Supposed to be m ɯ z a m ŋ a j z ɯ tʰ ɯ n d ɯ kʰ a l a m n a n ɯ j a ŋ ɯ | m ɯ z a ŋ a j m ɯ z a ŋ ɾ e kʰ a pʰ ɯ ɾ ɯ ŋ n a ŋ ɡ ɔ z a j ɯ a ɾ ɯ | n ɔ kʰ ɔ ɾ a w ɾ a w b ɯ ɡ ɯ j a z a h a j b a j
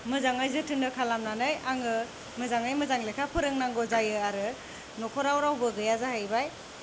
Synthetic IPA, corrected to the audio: m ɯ z a ŋ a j z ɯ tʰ ɯ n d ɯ kʰ a l a m n a n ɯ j a ŋ ɯ | m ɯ z a ŋ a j m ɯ z a ŋ l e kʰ a pʰ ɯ ɾ ɯ ŋ n a ŋ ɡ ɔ z a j ɯ a ɾ ɯ | n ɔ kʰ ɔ ɾ a w ɾ a w b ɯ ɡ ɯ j a z a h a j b a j